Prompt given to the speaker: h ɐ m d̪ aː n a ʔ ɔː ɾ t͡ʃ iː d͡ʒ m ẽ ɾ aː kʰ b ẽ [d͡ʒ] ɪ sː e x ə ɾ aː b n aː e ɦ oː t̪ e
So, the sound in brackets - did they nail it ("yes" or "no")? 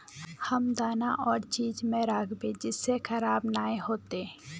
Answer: yes